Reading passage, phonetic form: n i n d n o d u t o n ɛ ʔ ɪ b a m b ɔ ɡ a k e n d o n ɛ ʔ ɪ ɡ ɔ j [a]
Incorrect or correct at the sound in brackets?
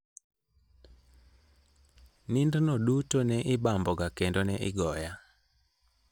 correct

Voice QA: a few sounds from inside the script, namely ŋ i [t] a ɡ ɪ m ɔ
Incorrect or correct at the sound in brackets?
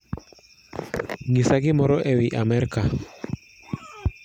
incorrect: s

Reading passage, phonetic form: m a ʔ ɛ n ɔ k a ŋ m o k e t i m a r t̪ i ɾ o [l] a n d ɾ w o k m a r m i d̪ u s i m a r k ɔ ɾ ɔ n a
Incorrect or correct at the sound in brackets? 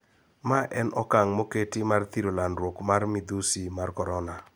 correct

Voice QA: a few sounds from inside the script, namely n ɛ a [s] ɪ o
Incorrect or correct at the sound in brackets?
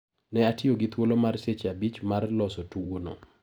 incorrect: t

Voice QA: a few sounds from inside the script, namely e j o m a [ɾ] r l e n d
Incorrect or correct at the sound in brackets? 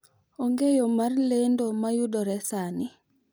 incorrect: none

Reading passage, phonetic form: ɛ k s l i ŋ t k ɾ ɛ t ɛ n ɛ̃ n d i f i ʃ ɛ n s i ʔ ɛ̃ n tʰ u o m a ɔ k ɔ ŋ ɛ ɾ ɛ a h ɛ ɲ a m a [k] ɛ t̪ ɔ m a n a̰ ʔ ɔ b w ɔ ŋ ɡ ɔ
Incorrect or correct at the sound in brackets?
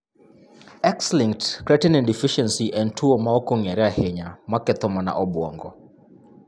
correct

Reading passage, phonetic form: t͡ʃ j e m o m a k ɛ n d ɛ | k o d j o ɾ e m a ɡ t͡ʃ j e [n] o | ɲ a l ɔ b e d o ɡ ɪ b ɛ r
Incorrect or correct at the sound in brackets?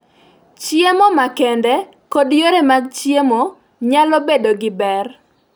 incorrect: m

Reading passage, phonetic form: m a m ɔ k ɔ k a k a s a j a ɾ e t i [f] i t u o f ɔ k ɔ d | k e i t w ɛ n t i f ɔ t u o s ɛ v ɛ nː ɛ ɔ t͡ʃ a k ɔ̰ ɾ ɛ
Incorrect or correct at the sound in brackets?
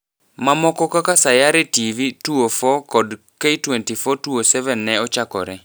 incorrect: v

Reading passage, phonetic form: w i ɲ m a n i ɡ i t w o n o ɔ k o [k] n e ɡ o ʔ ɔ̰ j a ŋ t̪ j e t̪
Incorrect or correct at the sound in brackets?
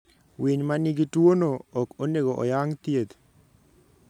incorrect: none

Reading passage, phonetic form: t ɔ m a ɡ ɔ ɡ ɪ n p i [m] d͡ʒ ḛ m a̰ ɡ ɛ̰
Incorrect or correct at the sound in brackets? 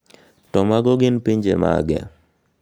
incorrect: ɲ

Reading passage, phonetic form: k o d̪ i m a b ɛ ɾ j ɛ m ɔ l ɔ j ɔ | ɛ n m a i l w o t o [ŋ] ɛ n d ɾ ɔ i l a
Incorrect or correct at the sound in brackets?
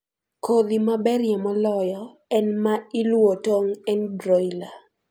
correct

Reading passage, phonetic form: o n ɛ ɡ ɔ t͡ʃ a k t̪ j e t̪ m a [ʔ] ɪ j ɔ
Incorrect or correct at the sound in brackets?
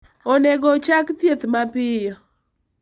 incorrect: p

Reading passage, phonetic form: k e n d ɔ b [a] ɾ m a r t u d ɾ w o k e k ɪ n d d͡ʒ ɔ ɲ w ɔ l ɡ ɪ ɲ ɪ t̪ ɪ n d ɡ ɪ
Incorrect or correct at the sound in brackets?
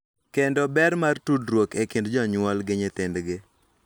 incorrect: ɛ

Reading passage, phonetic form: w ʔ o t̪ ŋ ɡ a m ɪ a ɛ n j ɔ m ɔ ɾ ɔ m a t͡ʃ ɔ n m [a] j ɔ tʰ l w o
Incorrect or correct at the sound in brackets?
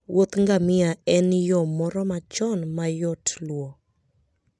correct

